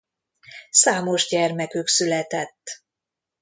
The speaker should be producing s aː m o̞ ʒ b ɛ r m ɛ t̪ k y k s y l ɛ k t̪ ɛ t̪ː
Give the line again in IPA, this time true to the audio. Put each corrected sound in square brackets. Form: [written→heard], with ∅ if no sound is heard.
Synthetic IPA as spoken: s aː m o̞ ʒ [b→ɟ] ɛ r m ɛ [t̪→∅] k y k s y l ɛ [k→∅] t̪ ɛ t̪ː